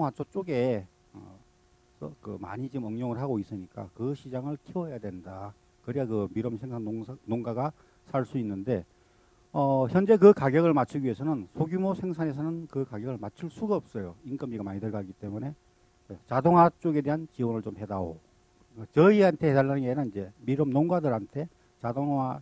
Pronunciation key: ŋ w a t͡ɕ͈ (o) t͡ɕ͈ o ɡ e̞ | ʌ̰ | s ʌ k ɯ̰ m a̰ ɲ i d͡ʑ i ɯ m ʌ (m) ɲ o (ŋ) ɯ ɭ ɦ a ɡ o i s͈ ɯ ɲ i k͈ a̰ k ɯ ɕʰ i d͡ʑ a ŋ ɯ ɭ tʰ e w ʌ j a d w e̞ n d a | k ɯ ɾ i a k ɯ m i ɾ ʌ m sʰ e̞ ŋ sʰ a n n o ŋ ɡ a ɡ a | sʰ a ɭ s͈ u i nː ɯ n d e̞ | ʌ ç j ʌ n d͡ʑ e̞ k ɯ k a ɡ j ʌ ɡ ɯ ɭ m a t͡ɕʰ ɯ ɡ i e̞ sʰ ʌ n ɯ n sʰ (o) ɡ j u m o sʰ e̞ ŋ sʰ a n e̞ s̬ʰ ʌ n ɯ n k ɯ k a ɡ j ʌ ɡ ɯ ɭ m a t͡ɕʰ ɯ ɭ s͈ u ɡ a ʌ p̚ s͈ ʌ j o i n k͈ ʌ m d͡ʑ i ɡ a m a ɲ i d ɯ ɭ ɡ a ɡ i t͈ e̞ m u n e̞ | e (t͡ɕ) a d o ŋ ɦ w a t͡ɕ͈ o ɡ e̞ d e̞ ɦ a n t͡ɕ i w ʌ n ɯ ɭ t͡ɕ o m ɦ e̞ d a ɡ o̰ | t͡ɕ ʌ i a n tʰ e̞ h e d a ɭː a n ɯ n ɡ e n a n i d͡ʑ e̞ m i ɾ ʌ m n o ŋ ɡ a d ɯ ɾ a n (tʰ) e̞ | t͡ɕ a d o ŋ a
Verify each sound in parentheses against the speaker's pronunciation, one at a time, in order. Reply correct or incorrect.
correct, incorrect, correct, correct, correct, correct

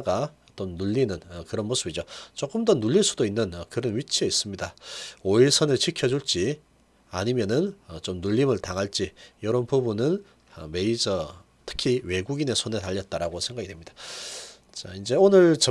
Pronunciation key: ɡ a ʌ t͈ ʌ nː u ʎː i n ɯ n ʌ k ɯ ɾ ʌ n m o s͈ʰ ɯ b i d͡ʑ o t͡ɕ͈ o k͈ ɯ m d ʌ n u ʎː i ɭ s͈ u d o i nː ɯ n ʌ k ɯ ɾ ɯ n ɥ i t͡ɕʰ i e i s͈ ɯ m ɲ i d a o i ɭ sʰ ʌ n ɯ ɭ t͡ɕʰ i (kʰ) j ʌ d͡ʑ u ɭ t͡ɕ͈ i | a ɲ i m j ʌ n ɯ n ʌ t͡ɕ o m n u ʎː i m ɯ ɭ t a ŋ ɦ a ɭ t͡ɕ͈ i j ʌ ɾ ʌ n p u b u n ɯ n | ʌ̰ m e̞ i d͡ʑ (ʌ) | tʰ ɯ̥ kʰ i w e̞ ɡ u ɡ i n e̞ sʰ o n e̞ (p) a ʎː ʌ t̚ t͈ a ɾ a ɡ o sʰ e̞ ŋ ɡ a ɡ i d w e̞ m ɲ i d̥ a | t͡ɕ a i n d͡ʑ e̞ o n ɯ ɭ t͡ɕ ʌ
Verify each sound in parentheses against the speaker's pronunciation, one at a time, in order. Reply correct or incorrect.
correct, correct, incorrect

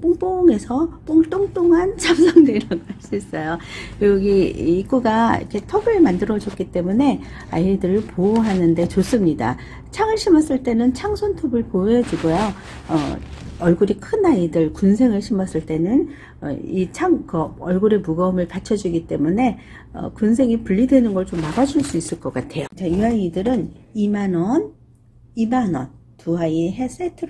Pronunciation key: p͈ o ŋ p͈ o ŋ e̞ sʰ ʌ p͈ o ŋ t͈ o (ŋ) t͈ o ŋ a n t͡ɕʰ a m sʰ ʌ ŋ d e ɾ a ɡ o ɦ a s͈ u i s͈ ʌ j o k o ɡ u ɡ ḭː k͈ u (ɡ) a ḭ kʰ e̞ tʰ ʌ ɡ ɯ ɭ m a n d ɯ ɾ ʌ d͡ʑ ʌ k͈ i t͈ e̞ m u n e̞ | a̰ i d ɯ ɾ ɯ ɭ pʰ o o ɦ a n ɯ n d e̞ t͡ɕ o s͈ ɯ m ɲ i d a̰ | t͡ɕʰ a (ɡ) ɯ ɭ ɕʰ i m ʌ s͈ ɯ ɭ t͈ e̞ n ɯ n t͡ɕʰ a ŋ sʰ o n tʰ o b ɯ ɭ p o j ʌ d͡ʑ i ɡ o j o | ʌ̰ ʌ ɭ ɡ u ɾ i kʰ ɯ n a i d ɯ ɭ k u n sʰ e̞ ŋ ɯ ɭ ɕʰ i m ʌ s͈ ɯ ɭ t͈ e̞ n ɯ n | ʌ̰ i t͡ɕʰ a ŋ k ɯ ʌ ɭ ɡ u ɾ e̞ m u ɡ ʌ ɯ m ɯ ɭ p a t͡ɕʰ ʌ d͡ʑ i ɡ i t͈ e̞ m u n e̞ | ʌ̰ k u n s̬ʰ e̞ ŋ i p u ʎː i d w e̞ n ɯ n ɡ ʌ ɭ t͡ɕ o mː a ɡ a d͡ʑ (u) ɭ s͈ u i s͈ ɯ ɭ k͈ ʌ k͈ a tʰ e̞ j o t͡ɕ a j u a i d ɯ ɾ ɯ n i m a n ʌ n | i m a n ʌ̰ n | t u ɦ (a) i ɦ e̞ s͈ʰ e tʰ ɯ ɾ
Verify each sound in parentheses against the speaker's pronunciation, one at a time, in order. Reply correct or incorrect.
correct, correct, incorrect, correct, correct

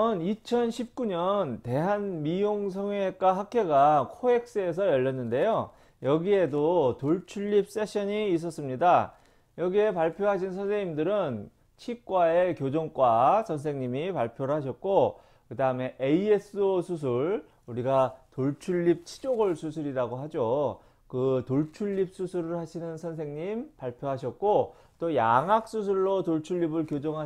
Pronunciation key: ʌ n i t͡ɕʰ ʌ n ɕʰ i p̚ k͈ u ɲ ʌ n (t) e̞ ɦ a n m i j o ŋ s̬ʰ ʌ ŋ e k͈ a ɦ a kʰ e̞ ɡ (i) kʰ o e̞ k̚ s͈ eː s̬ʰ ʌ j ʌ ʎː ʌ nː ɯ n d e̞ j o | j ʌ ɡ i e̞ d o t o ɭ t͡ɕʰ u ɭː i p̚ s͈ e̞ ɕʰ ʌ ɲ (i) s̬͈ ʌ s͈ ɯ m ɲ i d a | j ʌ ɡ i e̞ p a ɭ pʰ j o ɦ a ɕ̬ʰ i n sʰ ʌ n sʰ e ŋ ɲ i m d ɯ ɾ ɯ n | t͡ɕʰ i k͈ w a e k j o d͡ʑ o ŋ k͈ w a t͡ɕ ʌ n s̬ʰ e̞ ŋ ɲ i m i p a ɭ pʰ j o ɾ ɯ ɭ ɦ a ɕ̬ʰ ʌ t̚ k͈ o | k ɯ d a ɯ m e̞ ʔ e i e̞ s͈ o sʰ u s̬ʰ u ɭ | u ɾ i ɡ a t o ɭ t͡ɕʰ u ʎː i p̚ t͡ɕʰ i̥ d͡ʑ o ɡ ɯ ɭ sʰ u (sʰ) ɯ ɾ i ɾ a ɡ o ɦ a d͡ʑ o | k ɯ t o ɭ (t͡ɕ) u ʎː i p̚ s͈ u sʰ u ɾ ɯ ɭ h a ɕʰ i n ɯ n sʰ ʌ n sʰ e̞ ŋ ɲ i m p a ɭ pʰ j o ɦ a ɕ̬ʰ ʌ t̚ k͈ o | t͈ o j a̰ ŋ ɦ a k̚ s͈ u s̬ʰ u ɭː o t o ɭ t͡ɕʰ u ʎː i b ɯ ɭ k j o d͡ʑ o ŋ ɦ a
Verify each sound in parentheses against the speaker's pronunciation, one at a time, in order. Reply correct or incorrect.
correct, incorrect, incorrect, correct, incorrect

